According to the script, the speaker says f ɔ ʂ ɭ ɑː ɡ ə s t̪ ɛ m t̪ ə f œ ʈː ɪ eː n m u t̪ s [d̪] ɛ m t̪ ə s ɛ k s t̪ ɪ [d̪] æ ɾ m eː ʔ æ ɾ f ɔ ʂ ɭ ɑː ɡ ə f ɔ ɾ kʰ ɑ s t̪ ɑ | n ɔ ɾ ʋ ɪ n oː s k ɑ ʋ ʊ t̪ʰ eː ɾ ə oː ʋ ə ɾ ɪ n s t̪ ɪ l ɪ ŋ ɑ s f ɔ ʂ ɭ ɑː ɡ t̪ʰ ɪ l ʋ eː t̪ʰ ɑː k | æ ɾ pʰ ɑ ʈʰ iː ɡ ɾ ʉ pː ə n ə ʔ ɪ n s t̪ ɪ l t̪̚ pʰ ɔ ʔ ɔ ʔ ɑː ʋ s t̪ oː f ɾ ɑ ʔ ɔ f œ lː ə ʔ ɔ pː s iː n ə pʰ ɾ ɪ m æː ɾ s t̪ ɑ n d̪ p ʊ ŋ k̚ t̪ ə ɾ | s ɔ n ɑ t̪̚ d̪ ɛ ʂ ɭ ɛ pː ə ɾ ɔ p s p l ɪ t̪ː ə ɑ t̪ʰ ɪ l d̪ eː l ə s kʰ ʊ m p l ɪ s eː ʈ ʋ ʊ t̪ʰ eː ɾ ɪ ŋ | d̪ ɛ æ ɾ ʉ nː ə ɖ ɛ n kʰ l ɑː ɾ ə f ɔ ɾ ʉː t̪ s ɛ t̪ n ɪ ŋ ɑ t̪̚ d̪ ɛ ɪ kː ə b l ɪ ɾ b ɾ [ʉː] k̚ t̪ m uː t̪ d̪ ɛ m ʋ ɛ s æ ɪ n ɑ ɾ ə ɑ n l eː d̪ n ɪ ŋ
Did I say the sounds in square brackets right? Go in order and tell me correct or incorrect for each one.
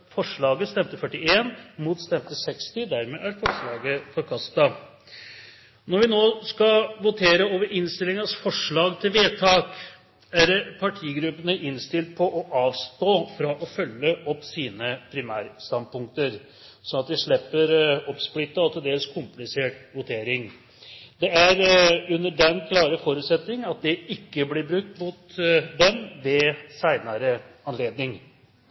incorrect: t̪, correct, incorrect: ʉ

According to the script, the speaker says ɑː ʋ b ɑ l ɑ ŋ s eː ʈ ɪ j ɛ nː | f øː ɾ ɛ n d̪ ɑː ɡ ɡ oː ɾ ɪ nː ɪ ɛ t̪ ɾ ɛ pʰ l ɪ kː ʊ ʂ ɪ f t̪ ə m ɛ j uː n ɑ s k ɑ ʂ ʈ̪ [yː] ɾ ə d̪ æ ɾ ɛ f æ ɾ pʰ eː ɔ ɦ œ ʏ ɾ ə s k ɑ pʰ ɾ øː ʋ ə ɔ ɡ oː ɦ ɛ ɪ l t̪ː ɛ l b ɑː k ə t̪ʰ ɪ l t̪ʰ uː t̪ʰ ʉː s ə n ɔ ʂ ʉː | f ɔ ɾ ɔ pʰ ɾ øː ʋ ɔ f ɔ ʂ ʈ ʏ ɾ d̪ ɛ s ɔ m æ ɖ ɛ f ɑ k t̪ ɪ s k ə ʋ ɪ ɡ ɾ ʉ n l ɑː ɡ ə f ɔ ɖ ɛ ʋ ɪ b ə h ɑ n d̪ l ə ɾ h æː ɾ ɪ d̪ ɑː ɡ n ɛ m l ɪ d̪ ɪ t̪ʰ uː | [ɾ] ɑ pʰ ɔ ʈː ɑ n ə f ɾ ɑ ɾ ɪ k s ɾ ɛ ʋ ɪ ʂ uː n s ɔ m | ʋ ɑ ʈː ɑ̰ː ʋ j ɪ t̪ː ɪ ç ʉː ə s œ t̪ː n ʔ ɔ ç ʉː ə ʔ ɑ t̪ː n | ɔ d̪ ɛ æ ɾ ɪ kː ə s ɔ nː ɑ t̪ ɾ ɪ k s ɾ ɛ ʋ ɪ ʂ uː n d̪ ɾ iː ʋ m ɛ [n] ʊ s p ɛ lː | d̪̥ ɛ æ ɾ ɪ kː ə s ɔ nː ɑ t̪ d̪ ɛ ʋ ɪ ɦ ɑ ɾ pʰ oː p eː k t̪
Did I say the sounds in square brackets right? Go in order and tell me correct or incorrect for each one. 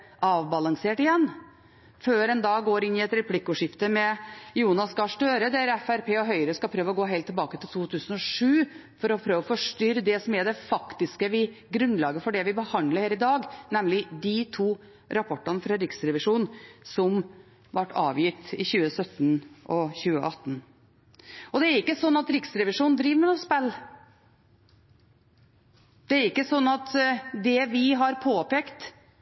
incorrect: øː, correct, correct

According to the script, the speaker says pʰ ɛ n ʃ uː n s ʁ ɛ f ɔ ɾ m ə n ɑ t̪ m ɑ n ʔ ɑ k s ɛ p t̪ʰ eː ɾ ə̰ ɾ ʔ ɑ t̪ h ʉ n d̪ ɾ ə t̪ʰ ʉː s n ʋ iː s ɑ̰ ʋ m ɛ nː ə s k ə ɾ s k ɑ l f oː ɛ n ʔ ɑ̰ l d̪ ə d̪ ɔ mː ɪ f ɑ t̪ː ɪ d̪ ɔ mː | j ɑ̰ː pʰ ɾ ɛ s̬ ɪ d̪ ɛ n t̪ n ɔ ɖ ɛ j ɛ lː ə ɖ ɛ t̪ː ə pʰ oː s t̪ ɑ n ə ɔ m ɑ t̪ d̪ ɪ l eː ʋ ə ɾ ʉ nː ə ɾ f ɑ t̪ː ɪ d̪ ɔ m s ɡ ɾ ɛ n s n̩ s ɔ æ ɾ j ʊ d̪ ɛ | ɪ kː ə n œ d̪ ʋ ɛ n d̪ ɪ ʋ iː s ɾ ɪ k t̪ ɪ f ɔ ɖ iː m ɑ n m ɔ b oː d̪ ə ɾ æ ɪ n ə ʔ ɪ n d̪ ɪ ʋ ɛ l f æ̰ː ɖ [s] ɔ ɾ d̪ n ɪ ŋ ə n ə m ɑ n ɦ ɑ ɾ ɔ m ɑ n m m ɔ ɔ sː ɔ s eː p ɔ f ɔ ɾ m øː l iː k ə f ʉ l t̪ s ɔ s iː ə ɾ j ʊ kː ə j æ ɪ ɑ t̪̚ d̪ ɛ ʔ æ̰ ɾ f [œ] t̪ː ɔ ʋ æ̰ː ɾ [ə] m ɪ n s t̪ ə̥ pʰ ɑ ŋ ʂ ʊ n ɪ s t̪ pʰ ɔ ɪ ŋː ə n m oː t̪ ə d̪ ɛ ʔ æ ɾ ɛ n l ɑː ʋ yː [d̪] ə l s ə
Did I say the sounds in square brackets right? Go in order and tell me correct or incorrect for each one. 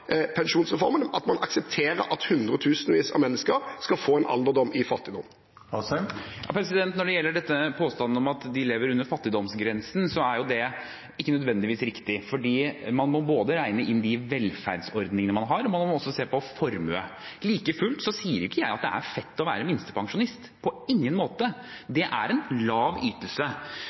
correct, incorrect: ɛ, correct, incorrect: t̪

